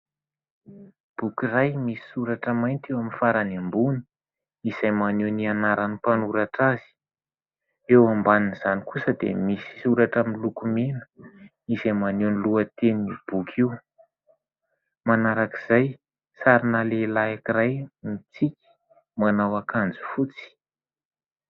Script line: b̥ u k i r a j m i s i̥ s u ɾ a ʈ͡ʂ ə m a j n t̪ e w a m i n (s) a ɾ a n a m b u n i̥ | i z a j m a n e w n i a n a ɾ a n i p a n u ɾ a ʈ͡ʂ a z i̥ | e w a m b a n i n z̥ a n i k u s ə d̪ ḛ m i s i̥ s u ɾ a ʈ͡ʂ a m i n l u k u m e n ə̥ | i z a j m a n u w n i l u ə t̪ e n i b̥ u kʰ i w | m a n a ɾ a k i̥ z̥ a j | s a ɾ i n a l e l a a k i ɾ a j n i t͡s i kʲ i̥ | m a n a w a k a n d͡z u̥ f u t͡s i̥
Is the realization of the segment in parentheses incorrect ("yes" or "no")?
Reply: yes